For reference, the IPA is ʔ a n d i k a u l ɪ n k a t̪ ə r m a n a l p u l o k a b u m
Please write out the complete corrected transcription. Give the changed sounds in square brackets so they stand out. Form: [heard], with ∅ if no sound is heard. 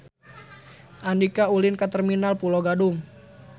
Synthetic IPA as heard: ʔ a n d i k a u l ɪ n k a t̪ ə r m [i] n a l p u l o [ɡ] a [d] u m